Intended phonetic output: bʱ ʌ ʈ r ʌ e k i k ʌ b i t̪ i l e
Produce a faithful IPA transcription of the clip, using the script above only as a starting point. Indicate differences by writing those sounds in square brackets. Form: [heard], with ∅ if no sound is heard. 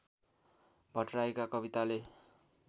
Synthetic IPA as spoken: bʱ ʌ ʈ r [a] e k [a] k ʌ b i t̪ [a] l e

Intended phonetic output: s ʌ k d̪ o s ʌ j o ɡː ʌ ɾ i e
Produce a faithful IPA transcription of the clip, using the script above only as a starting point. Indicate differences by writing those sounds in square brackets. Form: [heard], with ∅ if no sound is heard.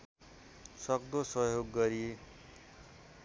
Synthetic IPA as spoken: s ʌ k d̪ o s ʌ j o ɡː ʌ ɾ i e

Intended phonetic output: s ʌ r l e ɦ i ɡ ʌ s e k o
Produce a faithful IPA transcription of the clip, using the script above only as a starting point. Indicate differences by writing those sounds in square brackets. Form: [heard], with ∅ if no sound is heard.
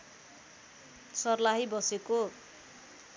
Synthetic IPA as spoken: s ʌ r l [a] ɦ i [b] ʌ s e k o

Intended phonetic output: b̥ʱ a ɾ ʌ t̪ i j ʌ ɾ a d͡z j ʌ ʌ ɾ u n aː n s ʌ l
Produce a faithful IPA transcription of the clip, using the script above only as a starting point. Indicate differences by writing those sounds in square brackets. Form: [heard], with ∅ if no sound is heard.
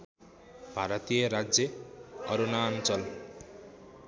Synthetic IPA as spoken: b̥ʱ a ɾ ʌ t̪ i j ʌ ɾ a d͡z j ʌ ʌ ɾ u n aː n [t͡s] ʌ l

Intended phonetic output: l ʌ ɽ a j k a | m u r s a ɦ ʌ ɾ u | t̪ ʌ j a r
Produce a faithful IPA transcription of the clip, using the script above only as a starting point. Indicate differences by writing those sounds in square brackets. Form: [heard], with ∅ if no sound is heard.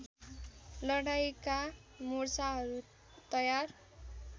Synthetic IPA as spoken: l ʌ ɽ a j k a | m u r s a ɦ ʌ ɾ u | t̪ ʌ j a r

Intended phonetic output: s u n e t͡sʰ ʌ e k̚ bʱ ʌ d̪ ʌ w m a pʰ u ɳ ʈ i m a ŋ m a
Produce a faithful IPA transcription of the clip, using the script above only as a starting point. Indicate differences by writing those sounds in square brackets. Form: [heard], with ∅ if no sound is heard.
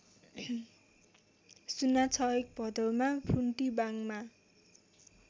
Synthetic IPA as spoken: s u n [a] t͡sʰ ʌ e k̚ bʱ ʌ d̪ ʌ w m a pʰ u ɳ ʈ i [b] a ŋ m a

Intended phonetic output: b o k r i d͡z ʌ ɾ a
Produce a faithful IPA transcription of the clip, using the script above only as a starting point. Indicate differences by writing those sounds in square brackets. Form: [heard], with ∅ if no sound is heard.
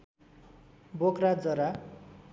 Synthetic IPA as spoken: b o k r [a] d͡z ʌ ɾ a

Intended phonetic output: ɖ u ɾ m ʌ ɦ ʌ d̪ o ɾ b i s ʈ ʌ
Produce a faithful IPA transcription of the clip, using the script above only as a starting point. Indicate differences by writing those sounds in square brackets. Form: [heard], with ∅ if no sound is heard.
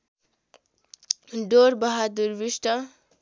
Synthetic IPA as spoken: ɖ [o] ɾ [b] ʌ ɦ [a] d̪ [u] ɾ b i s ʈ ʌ

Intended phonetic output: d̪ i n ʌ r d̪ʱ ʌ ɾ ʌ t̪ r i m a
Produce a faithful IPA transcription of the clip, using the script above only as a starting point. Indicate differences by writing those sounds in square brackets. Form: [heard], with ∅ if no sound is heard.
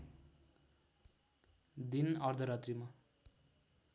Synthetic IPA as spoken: d̪ i n ʌ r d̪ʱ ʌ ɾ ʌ t̪ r i m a

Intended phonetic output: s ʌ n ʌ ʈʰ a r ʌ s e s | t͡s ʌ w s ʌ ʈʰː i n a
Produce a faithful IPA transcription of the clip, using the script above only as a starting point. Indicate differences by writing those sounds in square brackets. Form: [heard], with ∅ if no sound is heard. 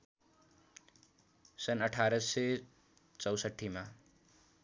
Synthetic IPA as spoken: s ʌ n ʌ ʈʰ a [ɾ] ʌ s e [∅] | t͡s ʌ w s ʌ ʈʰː i [m] a

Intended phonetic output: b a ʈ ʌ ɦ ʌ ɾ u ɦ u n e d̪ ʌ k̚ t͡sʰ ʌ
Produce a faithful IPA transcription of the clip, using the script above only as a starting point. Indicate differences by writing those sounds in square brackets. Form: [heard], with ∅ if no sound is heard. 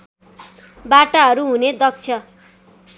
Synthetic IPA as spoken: b a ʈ [a] ɦ ʌ ɾ u ɦ u n e d̪ ʌ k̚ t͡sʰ ʌ

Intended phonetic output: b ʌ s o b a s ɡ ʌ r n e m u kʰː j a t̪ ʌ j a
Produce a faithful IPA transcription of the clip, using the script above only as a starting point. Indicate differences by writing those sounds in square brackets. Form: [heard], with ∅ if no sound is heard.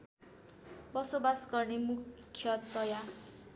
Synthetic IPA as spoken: b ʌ s o b a s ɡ ʌ r n e m u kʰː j [ʌ] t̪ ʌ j a

